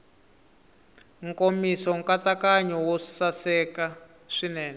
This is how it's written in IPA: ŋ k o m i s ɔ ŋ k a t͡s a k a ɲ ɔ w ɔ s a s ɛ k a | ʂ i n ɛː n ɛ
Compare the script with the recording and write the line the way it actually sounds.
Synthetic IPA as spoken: ŋ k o m i s ɔ ŋ k a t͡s a k a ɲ ɔ w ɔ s a s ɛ k a | ʂ i n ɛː n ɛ